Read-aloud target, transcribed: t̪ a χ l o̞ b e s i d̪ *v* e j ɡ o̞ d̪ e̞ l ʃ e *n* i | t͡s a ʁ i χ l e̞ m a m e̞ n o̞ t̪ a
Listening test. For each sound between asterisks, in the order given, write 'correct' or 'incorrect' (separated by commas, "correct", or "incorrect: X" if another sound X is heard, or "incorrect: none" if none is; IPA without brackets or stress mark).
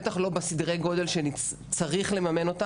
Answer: incorrect: ʁ, correct